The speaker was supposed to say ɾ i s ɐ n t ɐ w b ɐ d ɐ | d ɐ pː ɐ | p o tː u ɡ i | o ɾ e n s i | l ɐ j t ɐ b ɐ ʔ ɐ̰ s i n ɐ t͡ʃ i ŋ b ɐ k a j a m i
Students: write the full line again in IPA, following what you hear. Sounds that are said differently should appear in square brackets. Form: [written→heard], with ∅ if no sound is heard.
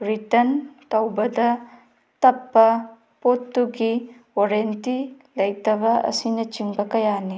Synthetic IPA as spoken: ɾ i [s→t] ɐ n t ɐ w b ɐ d ɐ | [d→t] ɐ pː ɐ | p o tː u ɡ i | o ɾ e n [s→t] i | l ɐ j t ɐ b ɐ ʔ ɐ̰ s i n ɐ t͡ʃ i ŋ b ɐ k [a→ɐ] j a [m→n] i